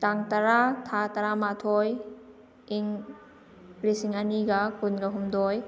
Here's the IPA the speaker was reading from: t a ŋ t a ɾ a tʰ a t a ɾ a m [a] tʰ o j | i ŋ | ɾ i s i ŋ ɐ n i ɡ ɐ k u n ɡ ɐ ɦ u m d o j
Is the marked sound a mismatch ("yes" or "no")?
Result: no